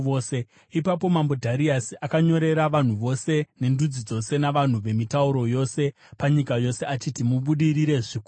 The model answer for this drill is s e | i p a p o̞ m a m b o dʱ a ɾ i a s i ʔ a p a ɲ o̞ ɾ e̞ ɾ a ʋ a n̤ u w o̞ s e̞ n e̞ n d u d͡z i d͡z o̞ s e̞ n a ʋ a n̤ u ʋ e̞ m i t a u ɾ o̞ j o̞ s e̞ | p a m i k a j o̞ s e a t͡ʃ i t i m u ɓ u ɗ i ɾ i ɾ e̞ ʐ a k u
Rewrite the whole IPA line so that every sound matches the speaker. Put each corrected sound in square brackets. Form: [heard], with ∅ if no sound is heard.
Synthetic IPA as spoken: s e | i p a p o̞ m a m b o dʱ a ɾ i a s i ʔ a [k] a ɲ o̞ ɾ e̞ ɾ a ʋ a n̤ u [ʋ] o̞ s e̞ n e̞ n d u d͡z i d͡z o̞ s e̞ n a ʋ a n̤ u ʋ e̞ m i t a u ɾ o̞ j o̞ s e̞ | p a [ɲ] i k a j o̞ s e a t͡ʃ i t i m u ɓ u ɗ i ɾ i ɾ e̞ ʐ [i] k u